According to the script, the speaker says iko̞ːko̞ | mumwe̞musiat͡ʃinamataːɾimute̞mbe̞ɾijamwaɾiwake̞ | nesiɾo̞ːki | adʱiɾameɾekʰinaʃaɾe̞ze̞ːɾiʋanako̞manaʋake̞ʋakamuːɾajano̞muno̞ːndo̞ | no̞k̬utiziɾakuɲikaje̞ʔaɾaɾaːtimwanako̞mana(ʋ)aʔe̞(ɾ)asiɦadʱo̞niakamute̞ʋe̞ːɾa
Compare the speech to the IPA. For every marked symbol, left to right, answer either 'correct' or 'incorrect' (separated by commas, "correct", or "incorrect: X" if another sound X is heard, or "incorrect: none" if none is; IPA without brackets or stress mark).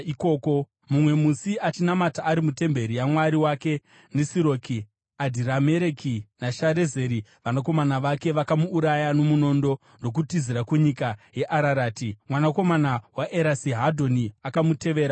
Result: incorrect: w, correct